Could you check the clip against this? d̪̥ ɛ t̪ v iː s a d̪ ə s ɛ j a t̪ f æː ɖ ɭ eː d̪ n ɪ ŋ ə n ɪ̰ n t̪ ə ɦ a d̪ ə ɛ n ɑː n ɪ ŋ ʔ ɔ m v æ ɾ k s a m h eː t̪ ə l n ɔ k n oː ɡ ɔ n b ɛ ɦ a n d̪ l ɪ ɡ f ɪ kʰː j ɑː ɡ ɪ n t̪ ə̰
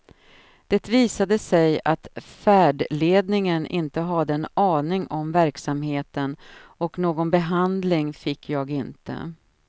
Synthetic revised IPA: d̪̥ ɛ t̪ v iː s a d̪ ə s ɛ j a t̪ f æː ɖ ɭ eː d̪ n ɪ ŋ ə n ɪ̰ n t̪ ə ɦ a d̪ ə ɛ n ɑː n ɪ ŋ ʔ ɔ m v æ ɾ k s a m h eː t̪ ə n ɔ k n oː ɡ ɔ n b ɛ ɦ a n d̪ l ɪ ŋ f ɪ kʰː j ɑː ɡ ɪ n t̪ ə̰